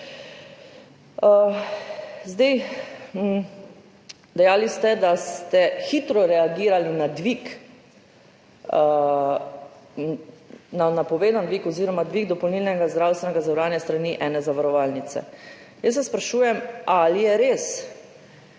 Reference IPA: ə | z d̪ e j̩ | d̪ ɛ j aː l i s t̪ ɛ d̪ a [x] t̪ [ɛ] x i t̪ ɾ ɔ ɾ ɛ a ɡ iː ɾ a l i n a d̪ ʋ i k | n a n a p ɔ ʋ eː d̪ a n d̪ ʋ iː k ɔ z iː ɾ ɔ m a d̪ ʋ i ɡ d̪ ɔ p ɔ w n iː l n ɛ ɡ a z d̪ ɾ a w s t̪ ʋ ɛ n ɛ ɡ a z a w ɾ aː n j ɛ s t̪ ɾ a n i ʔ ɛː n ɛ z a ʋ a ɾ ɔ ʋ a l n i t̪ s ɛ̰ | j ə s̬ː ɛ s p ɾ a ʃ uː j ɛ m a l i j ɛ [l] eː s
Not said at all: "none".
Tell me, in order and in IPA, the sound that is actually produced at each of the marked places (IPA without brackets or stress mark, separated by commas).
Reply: s, ɛ, ɾ